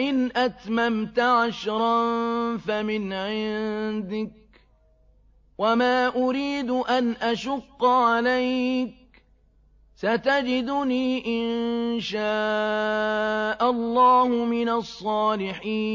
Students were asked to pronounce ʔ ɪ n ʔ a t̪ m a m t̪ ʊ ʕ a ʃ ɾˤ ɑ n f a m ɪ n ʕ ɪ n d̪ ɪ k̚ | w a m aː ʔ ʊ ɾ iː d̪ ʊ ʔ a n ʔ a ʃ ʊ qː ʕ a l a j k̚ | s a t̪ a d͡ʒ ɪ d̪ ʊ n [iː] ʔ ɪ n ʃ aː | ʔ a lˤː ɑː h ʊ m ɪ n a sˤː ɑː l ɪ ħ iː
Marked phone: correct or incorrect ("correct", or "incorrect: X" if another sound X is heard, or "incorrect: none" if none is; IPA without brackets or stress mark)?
correct